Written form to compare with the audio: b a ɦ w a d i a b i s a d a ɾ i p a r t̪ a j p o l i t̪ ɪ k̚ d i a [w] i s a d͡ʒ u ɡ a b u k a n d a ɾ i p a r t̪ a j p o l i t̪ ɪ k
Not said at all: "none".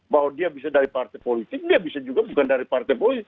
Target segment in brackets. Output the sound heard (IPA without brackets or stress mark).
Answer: b